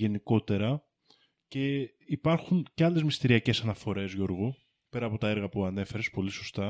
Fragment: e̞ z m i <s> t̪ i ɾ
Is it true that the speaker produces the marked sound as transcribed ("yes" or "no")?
yes